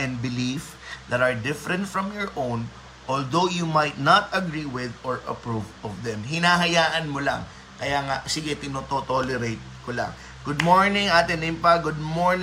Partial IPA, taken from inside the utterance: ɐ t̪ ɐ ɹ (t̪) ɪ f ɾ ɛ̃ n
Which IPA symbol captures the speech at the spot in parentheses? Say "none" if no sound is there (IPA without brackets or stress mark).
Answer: d̪